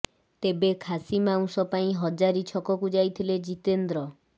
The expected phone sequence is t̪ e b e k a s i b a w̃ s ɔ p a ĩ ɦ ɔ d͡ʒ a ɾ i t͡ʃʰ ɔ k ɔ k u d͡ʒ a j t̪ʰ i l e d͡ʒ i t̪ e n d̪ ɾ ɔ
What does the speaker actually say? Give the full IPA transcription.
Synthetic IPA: t̪ e b e kʰ a s i m a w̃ s ɔ p a ĩ ɦ ɔ d͡ʒ a ɾ i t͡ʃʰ ɔ k ɔ k u d͡ʒ a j t̪ʰ i l e d͡ʒ i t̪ e n d̪ ɾ ɔ